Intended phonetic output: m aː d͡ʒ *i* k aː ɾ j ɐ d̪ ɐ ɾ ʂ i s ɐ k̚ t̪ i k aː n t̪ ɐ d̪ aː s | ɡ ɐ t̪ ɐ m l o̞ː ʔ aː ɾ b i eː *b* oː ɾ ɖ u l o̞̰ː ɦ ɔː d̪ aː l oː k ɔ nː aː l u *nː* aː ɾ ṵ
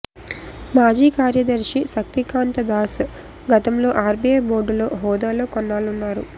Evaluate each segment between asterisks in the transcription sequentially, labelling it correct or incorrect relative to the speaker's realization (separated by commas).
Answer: incorrect, correct, correct